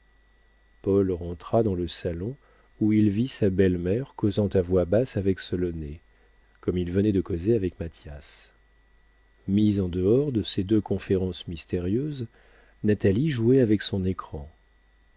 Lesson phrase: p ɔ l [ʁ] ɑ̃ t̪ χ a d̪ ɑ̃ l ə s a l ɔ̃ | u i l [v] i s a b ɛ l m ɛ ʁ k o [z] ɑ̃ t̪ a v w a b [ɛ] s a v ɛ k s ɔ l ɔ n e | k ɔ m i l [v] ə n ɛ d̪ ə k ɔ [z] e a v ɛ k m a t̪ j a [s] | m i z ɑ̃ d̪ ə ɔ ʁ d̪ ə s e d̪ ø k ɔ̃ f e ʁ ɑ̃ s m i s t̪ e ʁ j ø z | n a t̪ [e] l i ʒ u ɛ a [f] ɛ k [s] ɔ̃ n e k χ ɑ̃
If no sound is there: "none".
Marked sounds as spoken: ʁ, v, z, a, v, z, s, a, v, s

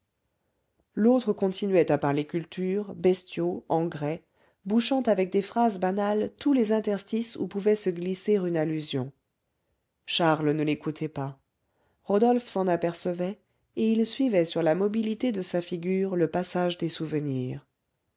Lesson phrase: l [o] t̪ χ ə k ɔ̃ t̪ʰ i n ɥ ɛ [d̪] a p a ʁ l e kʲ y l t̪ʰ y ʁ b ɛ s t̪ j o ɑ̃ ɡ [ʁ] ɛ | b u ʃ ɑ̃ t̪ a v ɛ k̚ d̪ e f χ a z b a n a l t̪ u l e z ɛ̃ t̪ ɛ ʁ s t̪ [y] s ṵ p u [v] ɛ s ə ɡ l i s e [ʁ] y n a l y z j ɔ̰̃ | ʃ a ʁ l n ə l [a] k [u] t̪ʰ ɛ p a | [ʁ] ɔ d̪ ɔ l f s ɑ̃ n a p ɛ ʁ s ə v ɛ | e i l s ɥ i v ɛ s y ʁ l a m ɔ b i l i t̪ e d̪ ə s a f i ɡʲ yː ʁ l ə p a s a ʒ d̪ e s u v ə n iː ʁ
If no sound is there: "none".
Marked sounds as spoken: o, t̪, ʁ, i, v, ʁ, e, u, ʁ

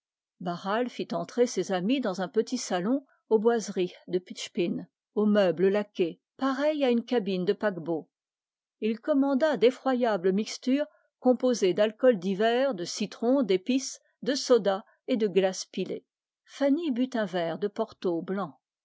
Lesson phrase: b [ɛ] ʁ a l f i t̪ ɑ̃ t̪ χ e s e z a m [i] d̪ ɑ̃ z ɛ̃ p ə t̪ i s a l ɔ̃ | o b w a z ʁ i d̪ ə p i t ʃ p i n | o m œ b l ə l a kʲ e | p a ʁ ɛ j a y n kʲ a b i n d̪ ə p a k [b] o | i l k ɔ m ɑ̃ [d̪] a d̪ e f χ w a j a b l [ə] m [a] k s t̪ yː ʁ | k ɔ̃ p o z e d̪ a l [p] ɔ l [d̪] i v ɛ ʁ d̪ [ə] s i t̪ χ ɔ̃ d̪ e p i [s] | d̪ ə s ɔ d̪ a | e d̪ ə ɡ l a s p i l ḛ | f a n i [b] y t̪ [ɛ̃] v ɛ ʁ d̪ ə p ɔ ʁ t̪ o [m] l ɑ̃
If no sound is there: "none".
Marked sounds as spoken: a, i, b, d̪, ə, i, k, d̪, ə, s, b, ɛ̃, b

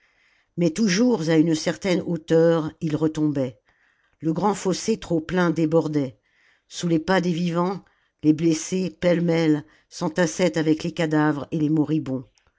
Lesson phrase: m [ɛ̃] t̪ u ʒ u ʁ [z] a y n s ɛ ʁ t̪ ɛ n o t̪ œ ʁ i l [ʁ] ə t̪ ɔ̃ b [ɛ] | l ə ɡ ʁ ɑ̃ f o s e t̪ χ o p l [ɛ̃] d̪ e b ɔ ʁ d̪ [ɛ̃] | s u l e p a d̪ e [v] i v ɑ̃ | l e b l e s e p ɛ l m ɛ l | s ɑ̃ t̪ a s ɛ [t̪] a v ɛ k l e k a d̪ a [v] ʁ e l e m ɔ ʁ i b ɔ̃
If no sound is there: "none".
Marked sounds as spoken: ɛ, z, ʁ, ɛ, ɛ̃, ɛ, v, t̪, v

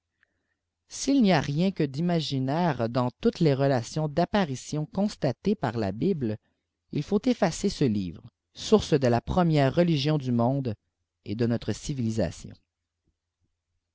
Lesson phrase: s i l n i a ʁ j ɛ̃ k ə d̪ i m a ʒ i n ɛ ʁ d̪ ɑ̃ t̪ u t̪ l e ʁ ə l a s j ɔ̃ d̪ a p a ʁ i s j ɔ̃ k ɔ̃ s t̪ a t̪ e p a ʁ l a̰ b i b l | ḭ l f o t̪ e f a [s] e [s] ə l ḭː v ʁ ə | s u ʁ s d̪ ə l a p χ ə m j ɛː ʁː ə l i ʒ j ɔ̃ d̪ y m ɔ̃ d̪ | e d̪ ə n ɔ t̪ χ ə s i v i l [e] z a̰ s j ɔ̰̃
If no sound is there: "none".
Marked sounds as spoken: s, s, i

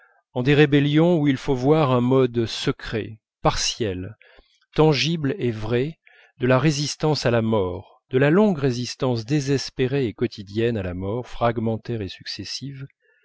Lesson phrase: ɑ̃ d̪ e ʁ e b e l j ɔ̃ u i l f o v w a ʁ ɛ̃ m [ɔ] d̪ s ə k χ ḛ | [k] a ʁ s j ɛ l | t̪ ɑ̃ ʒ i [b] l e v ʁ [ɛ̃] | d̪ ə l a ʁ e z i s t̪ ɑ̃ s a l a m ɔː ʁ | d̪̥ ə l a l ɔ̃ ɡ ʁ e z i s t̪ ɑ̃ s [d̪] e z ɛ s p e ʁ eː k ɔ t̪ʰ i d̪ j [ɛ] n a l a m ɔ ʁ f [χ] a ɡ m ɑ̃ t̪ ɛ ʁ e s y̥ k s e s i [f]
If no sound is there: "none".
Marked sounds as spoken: ɔ, p, b, ɛ, d̪, ɛ, χ, v

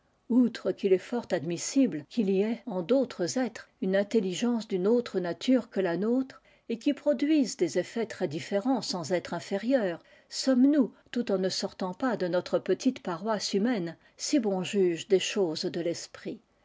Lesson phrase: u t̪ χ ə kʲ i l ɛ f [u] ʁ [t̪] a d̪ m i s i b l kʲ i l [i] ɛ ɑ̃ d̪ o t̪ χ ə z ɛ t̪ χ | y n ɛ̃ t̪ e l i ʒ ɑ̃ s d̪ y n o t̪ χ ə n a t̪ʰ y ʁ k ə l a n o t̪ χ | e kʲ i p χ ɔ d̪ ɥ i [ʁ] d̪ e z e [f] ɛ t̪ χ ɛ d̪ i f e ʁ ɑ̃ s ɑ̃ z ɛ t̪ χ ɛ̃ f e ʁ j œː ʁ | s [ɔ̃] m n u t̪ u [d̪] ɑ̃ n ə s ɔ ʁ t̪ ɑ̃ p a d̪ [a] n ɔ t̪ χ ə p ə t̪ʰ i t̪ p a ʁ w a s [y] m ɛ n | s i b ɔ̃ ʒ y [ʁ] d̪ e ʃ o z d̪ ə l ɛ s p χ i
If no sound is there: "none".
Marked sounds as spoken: ɔ, t̪, i, z, f, ɔ, t̪, ə, y, ʒ

